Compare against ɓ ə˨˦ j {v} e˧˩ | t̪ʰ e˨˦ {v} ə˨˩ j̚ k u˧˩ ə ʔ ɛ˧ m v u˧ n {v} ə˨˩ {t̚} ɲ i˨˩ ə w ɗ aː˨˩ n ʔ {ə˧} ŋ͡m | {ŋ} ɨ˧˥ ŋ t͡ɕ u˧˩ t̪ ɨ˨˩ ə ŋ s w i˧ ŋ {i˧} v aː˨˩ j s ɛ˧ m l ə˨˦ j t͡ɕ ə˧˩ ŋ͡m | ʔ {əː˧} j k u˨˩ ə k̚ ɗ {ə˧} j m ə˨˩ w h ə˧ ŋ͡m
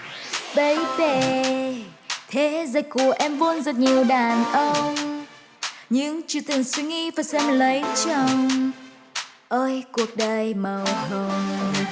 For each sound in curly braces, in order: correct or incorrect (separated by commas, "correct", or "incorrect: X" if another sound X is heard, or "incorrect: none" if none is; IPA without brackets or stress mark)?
correct, incorrect: z, incorrect: z, correct, correct, incorrect: ɲ, correct, correct, incorrect: ə˨˩